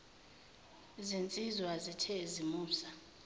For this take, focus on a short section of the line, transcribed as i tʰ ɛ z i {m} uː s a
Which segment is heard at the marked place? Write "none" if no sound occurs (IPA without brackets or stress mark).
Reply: m